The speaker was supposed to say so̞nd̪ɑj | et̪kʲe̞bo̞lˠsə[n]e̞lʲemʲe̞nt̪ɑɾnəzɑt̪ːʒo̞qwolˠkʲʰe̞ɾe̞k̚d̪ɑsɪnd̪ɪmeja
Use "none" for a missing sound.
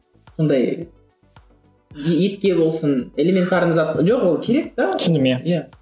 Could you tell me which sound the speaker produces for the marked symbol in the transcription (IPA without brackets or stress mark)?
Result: n